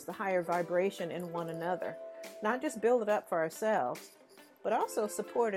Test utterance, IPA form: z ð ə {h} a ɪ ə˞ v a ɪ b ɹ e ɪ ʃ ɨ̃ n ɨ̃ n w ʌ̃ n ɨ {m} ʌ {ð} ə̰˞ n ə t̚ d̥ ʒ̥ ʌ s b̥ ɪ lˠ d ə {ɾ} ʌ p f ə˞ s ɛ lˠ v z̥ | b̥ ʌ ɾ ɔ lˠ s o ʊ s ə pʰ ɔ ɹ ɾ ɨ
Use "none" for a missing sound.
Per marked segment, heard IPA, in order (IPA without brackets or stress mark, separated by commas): h, n, ð, ɾ